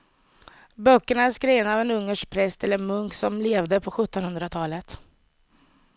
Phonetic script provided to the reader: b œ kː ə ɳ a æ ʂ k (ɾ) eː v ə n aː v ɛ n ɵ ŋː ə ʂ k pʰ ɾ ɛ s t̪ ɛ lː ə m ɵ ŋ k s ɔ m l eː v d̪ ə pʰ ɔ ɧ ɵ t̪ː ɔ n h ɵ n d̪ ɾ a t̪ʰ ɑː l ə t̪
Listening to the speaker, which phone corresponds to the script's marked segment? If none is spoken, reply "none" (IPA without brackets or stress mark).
ɾ